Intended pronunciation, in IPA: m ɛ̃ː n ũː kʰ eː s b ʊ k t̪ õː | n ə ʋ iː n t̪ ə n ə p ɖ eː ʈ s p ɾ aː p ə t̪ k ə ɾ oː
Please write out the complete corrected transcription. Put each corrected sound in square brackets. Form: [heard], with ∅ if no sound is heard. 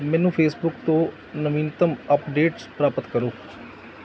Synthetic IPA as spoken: m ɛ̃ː n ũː [pʰ] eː s b ʊ k t̪ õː | n ə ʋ iː n t̪ ə [m] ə p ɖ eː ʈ s p ɾ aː p ə t̪ k ə ɾ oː